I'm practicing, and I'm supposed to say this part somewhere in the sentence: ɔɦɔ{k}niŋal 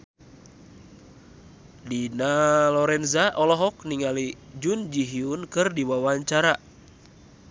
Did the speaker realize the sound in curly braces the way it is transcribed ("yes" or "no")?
yes